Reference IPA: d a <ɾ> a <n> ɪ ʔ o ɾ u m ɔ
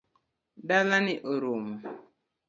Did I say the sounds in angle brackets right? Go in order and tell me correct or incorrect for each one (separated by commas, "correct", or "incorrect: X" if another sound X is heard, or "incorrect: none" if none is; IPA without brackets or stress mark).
incorrect: l, correct